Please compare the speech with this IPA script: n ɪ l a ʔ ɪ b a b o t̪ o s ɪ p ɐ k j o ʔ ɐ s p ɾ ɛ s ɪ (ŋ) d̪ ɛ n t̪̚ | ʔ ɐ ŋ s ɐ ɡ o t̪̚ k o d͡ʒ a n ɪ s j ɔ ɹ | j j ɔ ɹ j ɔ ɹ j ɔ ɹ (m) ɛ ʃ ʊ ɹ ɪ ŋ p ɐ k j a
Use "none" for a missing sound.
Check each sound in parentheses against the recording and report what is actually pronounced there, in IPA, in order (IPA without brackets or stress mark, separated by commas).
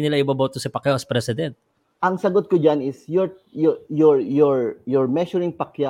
none, m